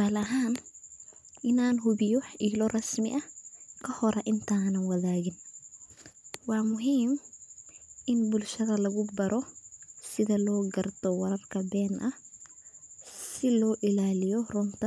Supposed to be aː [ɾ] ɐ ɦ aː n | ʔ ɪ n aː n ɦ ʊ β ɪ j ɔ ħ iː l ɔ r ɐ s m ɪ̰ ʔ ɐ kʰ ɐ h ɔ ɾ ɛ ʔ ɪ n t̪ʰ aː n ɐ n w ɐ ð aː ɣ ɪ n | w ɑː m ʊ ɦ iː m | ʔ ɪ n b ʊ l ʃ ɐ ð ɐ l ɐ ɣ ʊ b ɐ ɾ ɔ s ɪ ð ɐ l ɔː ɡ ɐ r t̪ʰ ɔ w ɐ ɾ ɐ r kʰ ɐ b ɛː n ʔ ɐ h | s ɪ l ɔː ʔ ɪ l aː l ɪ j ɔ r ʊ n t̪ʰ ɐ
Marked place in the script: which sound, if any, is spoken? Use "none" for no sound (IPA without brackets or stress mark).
l